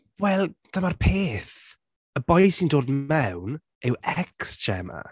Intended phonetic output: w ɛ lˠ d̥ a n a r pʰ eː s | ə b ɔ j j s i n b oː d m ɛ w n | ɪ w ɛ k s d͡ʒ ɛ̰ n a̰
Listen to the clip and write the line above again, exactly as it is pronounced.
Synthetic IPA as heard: w ɛ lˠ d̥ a m a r pʰ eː θ | ə b ɔ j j s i n d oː d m ɛ w n | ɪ w ɛ k s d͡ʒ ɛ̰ m a̰